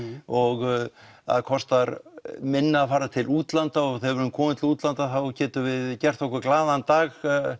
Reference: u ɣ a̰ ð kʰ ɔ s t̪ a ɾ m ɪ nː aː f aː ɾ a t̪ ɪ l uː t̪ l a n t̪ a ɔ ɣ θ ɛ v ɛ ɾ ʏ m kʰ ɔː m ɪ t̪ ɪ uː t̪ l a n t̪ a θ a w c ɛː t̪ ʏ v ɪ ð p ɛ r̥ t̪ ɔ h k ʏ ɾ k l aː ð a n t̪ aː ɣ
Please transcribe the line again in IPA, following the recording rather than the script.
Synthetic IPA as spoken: ɔ ɣ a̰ ð kʰ ɔ s t̪ a ɾ m ɪ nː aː f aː ɾ a t̪ʰ ɪ l uː t̪ l a n t̪ a ɔ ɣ θ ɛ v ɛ ɾ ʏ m kʰ ɔː m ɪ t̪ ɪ uː t̪ l a n t̪ a θ a w c ɛː t̪ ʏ v ɪ ð c ɛ r̥ t̪ ɔ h k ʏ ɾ k l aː ð a n t̪ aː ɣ